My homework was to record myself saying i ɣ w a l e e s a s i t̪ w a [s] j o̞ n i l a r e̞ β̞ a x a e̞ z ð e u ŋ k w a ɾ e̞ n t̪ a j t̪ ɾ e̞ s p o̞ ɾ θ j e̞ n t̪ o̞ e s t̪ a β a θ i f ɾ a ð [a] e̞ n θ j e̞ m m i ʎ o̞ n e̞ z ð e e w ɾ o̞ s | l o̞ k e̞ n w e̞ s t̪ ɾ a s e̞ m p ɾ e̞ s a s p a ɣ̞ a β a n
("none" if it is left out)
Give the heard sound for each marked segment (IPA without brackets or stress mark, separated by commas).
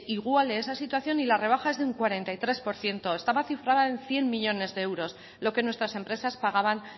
θ, a